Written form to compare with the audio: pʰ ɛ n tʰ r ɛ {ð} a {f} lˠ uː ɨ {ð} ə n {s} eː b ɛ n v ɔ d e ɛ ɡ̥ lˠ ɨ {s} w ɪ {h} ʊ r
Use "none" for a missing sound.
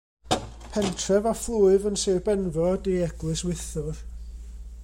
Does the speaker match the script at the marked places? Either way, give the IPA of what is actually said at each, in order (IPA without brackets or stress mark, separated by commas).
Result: v, f, v, s, s, θ